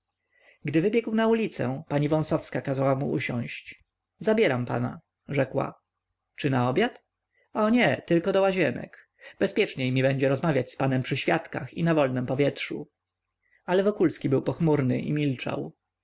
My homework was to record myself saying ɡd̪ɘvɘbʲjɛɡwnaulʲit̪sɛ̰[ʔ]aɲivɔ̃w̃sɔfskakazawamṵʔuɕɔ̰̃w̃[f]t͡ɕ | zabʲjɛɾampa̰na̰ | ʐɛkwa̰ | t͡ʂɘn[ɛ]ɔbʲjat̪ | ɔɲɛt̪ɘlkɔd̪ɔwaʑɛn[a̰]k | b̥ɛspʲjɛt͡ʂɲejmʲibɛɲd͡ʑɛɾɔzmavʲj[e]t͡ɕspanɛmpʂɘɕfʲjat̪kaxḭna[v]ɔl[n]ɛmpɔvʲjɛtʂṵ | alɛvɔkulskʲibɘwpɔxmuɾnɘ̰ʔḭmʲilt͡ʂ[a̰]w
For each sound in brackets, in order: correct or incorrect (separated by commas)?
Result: incorrect, incorrect, incorrect, incorrect, incorrect, correct, correct, correct